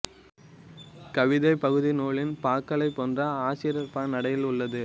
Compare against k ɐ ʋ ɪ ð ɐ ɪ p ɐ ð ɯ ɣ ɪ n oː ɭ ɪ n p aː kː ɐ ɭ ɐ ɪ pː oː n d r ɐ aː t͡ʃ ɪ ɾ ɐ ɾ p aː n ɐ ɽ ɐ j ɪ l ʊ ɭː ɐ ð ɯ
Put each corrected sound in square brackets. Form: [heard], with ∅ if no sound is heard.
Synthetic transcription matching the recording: k ɐ ʋ ɪ ð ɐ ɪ p ɐ [ɣ] ɯ [ð] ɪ n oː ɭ ɪ n p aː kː ɐ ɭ ɐ ɪ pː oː n d r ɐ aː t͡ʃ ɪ ɾ ɐ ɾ p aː n ɐ ɽ ɐ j ɪ l ʊ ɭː ɐ ð ɯ